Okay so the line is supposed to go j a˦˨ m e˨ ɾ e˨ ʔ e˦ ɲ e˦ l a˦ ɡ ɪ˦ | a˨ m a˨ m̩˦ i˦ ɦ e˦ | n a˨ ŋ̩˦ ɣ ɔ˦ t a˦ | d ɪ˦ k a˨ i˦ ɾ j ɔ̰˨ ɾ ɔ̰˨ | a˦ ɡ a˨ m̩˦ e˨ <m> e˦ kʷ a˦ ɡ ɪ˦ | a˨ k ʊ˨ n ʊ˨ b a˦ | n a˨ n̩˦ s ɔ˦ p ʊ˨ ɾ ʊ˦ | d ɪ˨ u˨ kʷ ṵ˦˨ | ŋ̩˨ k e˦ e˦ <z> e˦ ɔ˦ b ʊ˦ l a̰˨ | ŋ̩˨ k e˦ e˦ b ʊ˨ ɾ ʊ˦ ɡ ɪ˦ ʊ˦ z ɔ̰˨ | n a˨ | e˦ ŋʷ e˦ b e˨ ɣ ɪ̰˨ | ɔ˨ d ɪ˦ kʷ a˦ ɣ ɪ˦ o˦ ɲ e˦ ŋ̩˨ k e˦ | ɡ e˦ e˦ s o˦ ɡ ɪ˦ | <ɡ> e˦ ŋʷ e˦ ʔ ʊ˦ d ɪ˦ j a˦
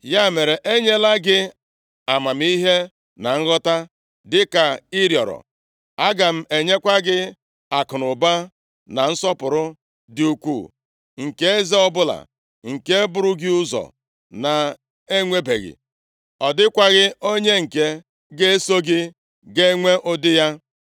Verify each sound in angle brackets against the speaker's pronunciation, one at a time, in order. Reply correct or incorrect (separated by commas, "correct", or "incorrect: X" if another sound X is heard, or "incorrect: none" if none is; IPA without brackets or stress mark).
incorrect: ɲ, correct, correct